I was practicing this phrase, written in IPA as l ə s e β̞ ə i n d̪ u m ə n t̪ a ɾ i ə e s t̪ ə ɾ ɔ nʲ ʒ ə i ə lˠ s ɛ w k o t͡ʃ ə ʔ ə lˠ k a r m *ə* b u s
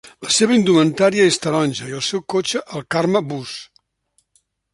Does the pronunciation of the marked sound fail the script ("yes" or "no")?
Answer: no